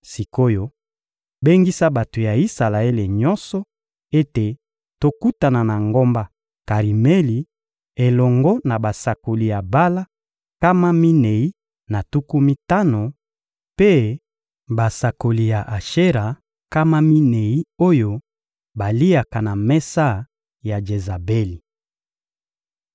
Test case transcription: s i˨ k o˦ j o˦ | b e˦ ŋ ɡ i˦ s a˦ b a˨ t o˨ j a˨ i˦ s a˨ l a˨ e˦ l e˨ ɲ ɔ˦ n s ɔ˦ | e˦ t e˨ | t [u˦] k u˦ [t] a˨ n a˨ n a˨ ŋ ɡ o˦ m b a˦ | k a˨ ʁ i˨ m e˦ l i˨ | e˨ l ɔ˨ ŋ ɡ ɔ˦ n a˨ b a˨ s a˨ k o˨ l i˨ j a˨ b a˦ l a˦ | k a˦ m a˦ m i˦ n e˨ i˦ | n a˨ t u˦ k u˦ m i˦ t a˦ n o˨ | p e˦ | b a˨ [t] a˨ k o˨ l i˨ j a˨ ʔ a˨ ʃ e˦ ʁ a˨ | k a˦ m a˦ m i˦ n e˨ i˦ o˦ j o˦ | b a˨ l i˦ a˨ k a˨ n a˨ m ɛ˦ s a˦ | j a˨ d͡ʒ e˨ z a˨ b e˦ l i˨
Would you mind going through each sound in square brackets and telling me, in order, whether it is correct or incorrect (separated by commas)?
incorrect, correct, incorrect